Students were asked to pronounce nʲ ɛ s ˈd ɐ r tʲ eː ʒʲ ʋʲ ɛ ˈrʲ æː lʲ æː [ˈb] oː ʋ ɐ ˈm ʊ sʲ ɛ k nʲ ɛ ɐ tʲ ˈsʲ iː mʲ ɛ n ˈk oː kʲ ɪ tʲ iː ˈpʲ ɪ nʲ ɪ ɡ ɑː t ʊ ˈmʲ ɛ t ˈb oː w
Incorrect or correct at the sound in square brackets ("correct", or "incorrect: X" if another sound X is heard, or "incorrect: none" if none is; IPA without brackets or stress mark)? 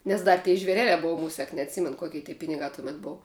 correct